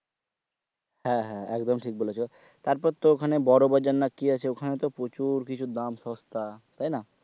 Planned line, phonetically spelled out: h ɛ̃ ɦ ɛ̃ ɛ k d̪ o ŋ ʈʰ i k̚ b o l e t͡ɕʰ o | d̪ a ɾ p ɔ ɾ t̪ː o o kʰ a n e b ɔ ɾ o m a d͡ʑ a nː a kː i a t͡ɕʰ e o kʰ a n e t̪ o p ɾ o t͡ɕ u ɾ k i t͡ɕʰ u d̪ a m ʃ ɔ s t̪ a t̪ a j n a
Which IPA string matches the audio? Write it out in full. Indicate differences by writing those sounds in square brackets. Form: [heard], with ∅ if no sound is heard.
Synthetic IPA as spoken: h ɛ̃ ɦ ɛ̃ ɛ k d̪ o [m] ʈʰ i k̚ b o l e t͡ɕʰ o | [t̪] a ɾ p ɔ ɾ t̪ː o o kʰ a n e b ɔ ɾ o [b] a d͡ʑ a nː a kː i a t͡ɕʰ e o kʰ a n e t̪ o p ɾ o t͡ɕ u ɾ k i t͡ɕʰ u d̪ a m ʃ ɔ s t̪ a t̪ a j n a